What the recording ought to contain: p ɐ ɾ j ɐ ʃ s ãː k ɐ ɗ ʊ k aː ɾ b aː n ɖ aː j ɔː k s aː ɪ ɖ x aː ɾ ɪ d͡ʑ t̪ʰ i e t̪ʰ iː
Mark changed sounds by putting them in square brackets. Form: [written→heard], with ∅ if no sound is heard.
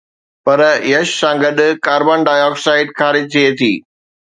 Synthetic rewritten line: p ɐ ɾ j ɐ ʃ s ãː [k→ɡ] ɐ ɗ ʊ k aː ɾ b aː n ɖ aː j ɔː k s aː ɪ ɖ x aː ɾ ɪ d͡ʑ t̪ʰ i e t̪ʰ iː